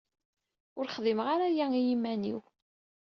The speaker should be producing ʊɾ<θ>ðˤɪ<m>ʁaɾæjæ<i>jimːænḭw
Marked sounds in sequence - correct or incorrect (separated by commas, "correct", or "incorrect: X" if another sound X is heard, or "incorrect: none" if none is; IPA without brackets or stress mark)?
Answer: incorrect: χ, correct, correct